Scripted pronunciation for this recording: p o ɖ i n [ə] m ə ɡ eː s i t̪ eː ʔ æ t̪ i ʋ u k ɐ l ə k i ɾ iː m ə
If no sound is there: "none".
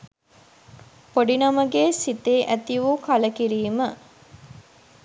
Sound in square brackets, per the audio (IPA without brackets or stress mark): ɐ